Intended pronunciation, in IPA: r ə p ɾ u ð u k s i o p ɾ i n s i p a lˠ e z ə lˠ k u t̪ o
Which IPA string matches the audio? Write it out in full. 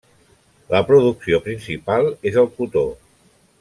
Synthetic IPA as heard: l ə p ɾ u ð u k s i o p ɾ i n s i p a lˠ e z ə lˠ k u t̪ o